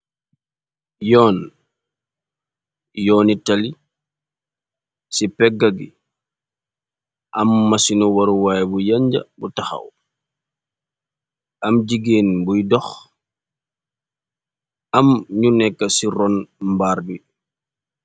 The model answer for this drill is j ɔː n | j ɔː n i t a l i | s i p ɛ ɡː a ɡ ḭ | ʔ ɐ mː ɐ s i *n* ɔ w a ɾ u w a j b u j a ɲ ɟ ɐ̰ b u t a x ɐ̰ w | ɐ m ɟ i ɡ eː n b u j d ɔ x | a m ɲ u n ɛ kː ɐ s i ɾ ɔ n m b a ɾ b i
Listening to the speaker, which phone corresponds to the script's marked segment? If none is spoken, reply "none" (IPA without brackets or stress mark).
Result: n